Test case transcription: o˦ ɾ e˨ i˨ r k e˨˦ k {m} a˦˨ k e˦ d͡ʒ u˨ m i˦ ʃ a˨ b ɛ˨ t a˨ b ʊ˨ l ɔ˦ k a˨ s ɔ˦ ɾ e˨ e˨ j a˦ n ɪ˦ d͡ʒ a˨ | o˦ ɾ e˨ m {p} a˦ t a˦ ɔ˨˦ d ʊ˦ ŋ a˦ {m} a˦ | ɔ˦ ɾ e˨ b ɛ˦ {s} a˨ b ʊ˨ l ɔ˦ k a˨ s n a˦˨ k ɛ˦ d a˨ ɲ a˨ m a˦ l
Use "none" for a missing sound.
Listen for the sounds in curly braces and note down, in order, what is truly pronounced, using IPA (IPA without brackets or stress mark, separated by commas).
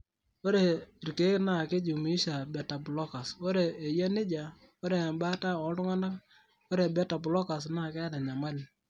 n, b, n, t